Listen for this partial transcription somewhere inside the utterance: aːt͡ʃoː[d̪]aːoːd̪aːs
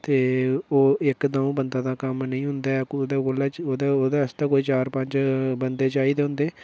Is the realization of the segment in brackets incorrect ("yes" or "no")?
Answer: no